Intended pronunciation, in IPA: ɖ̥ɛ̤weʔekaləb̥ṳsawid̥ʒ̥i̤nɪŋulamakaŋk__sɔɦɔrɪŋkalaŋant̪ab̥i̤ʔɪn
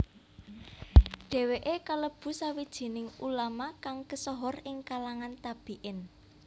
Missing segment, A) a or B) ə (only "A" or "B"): B